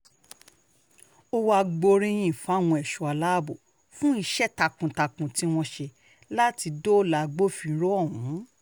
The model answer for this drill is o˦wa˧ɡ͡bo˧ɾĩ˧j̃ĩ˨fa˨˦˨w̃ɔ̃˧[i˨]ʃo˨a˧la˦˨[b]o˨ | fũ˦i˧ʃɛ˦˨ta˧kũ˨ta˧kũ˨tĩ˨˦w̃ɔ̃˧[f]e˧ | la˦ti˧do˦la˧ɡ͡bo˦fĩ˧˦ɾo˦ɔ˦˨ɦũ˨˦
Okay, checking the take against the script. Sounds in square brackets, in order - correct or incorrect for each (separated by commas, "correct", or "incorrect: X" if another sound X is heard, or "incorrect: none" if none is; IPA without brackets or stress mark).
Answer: incorrect: ɛ˨, correct, incorrect: ʃ